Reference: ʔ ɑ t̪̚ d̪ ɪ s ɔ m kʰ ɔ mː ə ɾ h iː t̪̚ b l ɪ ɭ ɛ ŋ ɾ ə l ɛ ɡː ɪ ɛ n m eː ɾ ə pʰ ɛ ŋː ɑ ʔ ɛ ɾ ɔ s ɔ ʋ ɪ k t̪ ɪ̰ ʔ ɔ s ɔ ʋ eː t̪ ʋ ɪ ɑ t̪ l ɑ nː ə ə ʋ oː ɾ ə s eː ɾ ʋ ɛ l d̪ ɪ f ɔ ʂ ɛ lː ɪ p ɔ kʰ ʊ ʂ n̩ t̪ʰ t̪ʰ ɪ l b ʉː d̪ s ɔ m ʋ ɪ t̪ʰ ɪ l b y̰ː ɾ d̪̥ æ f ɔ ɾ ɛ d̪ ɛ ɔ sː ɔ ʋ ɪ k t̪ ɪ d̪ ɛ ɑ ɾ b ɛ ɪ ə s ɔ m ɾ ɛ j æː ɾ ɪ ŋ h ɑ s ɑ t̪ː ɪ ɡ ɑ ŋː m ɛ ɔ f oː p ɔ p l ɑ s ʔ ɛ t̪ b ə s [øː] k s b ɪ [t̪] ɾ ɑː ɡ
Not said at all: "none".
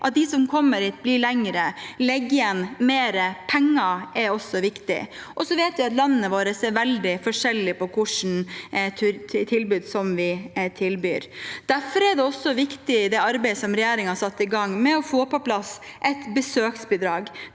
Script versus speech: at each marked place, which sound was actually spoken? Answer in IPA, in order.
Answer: øː, d̪

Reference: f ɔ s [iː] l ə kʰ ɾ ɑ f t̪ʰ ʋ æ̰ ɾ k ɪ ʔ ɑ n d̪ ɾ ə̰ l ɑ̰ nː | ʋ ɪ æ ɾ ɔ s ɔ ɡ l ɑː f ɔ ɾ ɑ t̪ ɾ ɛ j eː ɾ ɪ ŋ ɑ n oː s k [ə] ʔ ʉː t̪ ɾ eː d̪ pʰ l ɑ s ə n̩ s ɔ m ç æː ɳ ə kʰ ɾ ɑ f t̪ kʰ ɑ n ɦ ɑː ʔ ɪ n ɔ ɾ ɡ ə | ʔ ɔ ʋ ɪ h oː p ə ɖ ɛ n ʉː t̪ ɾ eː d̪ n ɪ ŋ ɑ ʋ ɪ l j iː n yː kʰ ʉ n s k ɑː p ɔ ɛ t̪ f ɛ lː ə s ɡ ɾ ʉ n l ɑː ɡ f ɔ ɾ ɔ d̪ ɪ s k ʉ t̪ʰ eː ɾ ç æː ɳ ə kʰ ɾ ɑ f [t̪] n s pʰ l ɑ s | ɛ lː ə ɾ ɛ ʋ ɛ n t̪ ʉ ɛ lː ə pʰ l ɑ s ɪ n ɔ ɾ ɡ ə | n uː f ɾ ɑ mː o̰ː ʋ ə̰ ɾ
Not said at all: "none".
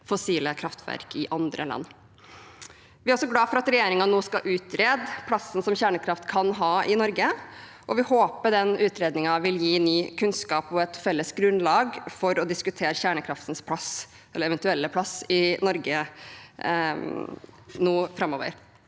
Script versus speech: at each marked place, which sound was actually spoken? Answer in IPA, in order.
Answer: iː, ɑ, t̪

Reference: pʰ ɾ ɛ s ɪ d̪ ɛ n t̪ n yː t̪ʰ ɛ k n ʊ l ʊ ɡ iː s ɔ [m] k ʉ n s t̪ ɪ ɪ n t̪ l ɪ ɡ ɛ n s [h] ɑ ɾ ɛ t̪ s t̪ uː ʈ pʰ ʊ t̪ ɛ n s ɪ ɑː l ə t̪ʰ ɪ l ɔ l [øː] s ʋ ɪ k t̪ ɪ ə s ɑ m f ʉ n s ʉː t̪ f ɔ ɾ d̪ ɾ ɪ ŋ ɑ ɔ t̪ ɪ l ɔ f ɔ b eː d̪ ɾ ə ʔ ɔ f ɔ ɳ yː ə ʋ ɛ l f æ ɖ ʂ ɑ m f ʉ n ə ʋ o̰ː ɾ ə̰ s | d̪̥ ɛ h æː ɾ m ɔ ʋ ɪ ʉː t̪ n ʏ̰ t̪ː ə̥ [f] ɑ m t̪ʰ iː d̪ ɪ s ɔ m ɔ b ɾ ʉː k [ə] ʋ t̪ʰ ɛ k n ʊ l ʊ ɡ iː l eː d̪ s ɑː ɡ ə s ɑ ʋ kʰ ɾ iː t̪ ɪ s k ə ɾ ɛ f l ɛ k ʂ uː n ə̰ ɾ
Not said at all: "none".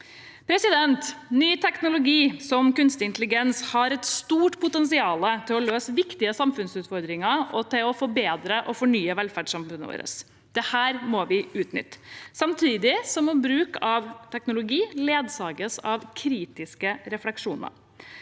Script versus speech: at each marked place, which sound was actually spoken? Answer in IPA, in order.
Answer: m, h, øː, s, ɑ

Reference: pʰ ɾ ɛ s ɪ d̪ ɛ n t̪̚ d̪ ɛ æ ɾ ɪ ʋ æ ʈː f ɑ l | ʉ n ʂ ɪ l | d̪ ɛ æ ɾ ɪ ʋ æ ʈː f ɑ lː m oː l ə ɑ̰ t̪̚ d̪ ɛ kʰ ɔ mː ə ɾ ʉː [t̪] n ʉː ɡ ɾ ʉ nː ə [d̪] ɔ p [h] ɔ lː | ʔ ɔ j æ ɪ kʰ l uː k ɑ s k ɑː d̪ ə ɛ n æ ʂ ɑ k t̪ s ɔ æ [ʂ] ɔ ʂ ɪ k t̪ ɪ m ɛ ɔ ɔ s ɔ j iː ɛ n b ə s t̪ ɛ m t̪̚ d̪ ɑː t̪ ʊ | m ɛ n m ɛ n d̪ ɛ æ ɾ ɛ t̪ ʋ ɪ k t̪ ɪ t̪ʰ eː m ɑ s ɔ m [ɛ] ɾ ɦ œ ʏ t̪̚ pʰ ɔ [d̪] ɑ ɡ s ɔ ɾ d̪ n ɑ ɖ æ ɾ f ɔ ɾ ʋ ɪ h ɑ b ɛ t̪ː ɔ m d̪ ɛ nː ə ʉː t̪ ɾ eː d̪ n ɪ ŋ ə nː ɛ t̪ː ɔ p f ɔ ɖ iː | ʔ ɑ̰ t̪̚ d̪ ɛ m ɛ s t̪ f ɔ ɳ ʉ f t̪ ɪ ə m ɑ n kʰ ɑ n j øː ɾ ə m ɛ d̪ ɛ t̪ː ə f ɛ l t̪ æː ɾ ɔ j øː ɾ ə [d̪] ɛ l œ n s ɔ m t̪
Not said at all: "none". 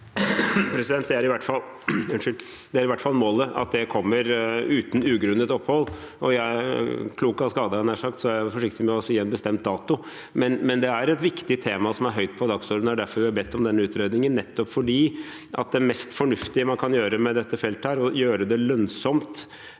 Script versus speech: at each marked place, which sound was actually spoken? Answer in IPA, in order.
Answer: t̪, t̪, h, f, æ, d̪, d̪

